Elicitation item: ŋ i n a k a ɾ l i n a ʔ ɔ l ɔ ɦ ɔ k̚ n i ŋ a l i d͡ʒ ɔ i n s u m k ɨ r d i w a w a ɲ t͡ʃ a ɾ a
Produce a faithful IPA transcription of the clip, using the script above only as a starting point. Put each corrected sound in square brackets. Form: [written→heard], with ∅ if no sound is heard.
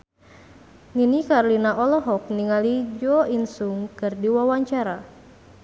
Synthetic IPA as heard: ŋ i n [a→i] k a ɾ l i n a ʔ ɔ l ɔ ɦ ɔ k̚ n i ŋ a l i d͡ʒ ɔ i n s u [m→ŋ] k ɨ r d i w a w a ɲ t͡ʃ a ɾ a

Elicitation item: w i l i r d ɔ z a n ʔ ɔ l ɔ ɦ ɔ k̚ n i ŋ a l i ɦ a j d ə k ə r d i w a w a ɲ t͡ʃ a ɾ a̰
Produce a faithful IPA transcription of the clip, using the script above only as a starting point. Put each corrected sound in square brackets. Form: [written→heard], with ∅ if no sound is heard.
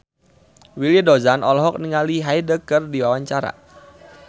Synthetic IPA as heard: w i l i [r→∅] d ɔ z a n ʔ ɔ l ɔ ɦ ɔ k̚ n i ŋ a l i ɦ a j d ə k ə r d i w a w a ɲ t͡ʃ a ɾ a̰

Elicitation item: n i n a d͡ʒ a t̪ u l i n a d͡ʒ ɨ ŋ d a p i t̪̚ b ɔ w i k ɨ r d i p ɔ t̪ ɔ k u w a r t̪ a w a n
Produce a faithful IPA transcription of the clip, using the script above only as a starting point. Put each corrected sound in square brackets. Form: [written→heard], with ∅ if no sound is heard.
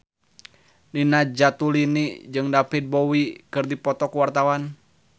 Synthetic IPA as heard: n i n a d͡ʒ a t̪ u l i n [a→i] d͡ʒ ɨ ŋ d a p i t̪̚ b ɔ w i k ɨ r d i p ɔ t̪ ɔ k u w a r t̪ a w a n

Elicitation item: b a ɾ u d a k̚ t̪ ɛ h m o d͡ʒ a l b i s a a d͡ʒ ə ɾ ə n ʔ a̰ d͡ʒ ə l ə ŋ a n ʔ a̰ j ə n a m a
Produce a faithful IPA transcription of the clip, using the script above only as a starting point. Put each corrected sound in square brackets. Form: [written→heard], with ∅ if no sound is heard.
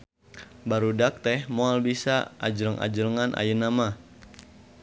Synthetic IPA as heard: b a ɾ u d a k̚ t̪ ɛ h m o [d͡ʒ→∅] a l b i s a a d͡ʒ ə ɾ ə [n→ŋ] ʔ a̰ d͡ʒ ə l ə ŋ a n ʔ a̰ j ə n a m a

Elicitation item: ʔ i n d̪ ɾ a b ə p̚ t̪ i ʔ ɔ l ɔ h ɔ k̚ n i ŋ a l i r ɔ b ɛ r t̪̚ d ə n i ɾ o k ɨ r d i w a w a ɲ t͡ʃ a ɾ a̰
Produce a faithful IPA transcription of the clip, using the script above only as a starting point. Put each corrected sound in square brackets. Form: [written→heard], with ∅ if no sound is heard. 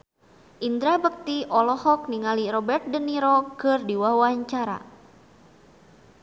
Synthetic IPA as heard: ʔ i n d̪ ɾ a b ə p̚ t̪ i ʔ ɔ l ɔ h ɔ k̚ n i ŋ a l i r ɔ b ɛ r t̪̚ d ə n i ɾ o k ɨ r d i w a w a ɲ t͡ʃ a ɾ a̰

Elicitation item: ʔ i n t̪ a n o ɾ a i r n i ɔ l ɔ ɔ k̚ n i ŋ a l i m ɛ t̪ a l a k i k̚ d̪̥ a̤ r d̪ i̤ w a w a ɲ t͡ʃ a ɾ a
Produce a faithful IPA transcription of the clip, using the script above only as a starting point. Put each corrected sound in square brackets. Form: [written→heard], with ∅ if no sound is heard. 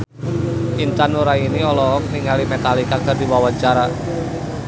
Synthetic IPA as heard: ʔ i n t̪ a n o ɾ a i [r→∅] n i ɔ l ɔ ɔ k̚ n i ŋ a l i m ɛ t̪ a l [a→i] k [i→a] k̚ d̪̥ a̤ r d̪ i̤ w a w a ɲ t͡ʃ a ɾ a

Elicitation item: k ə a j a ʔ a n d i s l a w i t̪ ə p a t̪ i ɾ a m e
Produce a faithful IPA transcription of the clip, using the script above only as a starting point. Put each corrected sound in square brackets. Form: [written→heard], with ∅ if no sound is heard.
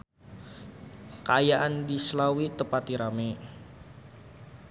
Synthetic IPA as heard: k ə a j a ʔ a n d i s l a w i t̪ ə p a t̪ i ɾ a m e

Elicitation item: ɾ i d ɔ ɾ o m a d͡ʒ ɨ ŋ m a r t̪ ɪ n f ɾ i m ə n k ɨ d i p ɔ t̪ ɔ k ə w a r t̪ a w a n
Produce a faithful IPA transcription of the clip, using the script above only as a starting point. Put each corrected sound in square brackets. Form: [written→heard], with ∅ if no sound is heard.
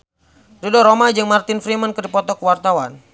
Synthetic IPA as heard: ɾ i d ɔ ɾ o m a d͡ʒ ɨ ŋ m a r t̪ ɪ n f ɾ i m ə n k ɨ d i p ɔ t̪ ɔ k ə w a r t̪ a w a n

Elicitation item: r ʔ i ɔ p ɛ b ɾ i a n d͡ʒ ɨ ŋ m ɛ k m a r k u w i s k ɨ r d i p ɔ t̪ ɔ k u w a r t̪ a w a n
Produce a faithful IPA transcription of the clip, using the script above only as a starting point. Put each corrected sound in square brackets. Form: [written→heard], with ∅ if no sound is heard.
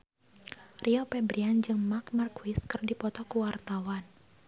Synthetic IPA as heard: r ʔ i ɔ p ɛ b ɾ i a n d͡ʒ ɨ ŋ m [ɛ→a] k m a r k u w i s k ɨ r d i p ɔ t̪ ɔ k u w a r t̪ a w a n

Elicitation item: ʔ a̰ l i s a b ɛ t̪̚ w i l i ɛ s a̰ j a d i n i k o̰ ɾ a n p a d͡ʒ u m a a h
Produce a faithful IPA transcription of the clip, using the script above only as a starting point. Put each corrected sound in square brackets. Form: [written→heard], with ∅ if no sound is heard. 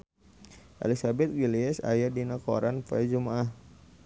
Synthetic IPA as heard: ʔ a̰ l i s a b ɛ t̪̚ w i l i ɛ s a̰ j a d i n [i→a] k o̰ ɾ a n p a d͡ʒ u m a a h

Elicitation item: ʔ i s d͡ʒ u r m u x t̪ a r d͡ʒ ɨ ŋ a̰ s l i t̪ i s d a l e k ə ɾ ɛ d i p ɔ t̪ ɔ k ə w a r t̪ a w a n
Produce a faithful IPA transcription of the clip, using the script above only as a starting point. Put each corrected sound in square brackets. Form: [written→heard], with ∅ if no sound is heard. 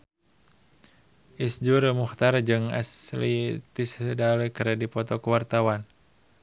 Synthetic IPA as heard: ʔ i s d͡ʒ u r m u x t̪ a r d͡ʒ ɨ ŋ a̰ s l i t̪ i s d a l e k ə ɾ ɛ d i p ɔ t̪ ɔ k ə w a r t̪ a w a n

